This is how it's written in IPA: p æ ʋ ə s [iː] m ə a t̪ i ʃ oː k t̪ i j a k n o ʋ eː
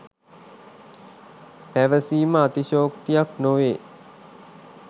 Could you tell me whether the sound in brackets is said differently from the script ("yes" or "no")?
no